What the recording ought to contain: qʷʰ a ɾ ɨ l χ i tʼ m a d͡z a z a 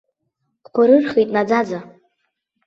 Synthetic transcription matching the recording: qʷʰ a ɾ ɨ r χ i tʼ n a d͡z a d͡z a